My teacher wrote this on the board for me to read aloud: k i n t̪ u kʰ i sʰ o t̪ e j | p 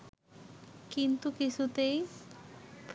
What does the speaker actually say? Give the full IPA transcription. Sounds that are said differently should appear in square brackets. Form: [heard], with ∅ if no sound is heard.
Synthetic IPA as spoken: k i n t̪ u [k] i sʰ [u] t̪ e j | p